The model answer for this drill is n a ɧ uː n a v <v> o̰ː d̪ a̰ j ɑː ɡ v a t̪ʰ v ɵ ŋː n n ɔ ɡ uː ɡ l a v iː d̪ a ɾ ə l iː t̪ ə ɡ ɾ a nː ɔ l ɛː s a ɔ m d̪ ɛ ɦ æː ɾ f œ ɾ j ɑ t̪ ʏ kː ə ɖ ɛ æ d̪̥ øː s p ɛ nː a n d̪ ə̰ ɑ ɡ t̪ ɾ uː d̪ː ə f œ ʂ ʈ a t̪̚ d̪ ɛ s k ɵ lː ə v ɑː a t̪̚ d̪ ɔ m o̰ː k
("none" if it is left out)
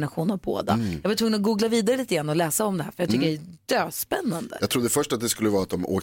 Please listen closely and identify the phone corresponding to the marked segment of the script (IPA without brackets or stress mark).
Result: b